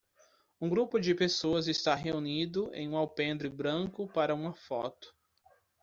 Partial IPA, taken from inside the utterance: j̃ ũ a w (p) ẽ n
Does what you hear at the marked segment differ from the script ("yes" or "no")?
no